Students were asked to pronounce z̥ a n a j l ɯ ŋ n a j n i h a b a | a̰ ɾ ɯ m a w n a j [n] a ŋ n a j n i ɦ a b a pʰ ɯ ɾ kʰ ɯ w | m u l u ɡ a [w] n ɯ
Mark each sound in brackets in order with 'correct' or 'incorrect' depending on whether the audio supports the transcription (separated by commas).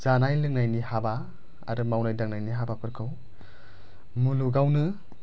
incorrect, correct